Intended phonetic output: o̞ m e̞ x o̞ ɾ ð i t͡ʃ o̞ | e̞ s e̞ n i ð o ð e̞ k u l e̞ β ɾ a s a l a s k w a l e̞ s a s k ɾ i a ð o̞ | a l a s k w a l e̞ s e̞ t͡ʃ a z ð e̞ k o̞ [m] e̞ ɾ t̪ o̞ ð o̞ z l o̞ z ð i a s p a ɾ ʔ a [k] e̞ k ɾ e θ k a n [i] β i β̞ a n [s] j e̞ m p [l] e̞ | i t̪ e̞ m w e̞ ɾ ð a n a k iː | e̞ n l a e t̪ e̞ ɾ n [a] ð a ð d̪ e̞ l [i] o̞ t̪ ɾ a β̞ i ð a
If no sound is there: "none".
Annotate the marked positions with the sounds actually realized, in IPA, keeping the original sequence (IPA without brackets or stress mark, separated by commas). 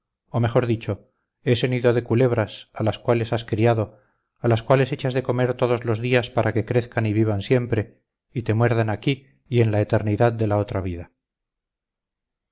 m, k, i, s, ɾ, i, a